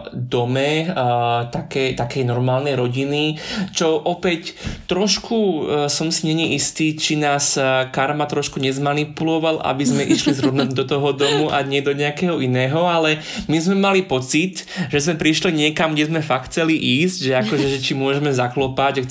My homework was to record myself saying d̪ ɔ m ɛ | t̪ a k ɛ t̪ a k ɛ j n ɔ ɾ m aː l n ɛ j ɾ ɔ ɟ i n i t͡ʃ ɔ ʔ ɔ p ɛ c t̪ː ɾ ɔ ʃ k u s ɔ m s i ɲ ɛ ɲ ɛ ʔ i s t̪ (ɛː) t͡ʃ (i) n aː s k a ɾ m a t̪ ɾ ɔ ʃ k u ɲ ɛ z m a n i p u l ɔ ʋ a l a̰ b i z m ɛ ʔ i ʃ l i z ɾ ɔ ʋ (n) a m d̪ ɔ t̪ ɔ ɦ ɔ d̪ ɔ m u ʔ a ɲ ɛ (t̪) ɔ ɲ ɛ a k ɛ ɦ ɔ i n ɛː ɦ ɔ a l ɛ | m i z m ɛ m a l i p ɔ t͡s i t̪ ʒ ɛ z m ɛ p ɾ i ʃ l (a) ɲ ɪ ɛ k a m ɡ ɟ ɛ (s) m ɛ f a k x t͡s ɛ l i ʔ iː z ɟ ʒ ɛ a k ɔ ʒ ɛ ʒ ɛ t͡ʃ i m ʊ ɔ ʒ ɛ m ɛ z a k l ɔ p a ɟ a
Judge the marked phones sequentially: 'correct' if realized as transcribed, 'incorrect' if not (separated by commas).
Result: incorrect, correct, correct, incorrect, incorrect, incorrect